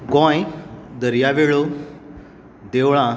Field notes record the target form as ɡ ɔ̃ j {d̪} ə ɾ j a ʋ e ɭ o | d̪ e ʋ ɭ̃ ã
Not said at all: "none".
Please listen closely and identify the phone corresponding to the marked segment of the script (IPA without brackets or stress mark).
d̪